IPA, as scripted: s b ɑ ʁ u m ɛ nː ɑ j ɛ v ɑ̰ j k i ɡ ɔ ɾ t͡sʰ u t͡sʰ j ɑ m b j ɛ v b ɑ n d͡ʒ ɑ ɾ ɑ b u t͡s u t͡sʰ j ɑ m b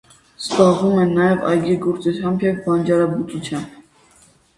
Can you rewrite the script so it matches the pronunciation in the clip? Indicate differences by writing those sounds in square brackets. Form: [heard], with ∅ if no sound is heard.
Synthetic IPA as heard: s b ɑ ʁ u m ɛ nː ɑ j ɛ v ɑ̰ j [ɡ] i ɡ ɔ ɾ [t͡s] u t͡sʰ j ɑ m b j ɛ v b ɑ n d͡ʒ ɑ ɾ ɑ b u t͡s u t͡sʰ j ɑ m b